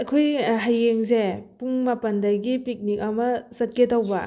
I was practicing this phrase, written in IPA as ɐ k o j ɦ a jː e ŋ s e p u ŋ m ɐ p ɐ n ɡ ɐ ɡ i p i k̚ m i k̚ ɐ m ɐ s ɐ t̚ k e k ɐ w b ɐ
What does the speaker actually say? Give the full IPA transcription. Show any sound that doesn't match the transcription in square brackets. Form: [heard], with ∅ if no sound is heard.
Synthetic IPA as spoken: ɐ [kʰ] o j ɦ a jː e ŋ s e p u ŋ m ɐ p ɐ n [d] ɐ ɡ i p i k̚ [n] i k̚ ɐ m ɐ s ɐ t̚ k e [t] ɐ w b ɐ